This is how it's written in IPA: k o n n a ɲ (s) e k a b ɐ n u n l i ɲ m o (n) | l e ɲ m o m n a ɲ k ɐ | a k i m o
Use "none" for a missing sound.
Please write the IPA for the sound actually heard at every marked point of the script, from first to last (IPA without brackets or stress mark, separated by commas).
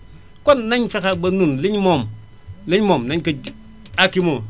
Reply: f, m